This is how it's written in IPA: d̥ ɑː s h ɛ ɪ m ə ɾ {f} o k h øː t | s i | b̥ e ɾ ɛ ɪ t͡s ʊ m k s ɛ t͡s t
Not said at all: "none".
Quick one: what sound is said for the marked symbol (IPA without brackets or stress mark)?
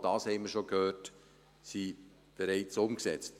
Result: ʃ